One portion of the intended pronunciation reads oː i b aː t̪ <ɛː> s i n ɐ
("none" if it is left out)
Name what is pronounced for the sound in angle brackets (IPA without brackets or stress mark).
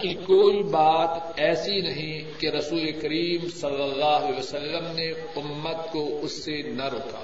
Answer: ɛː